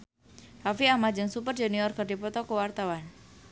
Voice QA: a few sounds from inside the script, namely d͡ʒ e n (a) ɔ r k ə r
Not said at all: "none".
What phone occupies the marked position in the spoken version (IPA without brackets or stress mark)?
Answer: i